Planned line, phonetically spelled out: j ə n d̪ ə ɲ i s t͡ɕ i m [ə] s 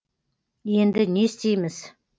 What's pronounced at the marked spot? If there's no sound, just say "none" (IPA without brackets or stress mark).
ə